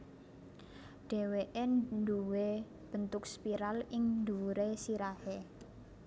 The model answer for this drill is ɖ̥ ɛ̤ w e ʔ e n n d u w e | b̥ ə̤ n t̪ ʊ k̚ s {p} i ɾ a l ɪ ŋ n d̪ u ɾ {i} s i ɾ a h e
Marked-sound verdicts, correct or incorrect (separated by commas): correct, incorrect